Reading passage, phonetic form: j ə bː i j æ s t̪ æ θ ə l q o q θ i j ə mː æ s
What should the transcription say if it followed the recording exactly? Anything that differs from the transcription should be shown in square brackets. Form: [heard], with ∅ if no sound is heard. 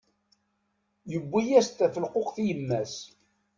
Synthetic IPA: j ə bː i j æ s t̪ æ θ ə l q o q θ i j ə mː æ s